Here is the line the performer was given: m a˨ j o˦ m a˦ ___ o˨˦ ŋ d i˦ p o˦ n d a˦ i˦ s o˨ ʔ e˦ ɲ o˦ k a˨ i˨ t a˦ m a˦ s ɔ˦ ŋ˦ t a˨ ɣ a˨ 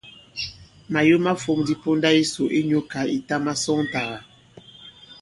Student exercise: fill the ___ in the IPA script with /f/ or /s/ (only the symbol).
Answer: f